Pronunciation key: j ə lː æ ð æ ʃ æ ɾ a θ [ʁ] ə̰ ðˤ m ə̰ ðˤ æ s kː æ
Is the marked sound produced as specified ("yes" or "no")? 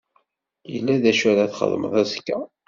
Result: no